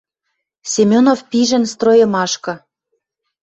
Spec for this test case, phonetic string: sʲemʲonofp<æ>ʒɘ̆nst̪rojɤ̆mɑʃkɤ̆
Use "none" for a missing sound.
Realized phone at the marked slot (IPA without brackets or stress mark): i